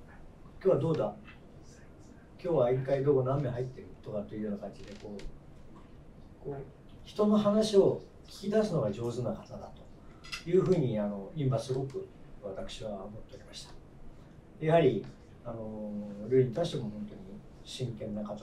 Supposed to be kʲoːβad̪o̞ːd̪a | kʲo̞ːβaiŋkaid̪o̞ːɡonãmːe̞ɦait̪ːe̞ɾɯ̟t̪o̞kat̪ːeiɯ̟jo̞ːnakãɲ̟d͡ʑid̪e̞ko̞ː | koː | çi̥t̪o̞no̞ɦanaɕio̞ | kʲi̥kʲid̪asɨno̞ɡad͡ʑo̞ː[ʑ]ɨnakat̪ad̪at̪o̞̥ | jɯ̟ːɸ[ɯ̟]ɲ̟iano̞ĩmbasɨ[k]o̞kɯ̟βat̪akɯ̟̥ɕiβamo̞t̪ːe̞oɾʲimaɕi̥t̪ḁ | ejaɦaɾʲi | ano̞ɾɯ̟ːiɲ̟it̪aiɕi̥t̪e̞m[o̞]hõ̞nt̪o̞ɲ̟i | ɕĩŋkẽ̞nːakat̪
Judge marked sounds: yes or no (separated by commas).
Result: no, no, no, yes